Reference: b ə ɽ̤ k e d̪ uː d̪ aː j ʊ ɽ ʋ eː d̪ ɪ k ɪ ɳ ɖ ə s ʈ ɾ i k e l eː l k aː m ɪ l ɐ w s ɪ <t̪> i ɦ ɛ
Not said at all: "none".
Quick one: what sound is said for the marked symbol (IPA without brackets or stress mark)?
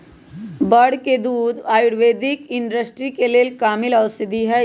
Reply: d̪